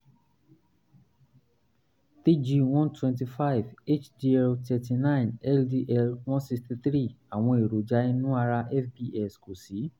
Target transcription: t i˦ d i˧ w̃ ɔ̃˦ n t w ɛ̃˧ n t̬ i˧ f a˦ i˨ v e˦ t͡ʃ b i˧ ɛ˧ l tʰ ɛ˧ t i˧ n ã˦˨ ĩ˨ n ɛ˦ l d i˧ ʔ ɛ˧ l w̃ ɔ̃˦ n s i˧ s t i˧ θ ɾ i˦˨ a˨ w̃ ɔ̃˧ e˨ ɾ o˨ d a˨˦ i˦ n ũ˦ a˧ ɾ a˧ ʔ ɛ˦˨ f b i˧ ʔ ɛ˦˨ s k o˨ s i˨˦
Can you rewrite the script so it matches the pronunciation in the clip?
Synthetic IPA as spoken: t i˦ d͡ʒ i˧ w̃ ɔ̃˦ n t w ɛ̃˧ n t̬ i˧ f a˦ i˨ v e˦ t͡ʃ d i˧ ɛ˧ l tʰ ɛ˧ t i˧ n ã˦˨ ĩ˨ n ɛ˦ l d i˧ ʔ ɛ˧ l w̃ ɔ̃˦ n s i˧ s t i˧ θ ɾ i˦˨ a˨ w̃ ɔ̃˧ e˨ ɾ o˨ d͡ʒ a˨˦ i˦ n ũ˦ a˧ ɾ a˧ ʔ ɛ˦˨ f b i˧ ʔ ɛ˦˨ s k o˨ s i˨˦